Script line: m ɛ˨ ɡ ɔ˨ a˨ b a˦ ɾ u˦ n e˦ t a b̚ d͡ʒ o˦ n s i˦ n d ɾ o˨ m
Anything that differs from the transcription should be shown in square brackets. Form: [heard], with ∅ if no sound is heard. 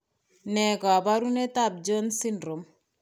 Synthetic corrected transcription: [n] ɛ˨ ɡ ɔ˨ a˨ b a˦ ɾ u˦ n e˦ t a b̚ d͡ʒ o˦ n s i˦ n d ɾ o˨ m